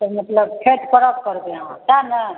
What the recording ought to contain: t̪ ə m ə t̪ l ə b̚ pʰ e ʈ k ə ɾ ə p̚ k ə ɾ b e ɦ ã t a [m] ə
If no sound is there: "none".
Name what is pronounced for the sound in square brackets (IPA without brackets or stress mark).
n